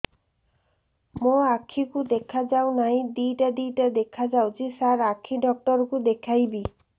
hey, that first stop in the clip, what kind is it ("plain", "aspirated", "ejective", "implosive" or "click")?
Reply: aspirated